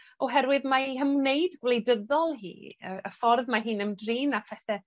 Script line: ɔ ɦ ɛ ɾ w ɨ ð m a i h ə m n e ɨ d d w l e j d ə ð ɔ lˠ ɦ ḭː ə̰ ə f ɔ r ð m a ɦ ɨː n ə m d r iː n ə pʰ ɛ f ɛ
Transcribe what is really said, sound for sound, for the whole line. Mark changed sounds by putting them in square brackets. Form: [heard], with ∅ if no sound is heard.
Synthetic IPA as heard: ɔ ɦ ɛ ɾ w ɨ ð m a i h ə m n e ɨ d [ɡ] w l e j d ə ð ɔ lˠ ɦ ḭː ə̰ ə f ɔ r ð m a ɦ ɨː n ə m d r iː n [a] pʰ ɛ [θ] ɛ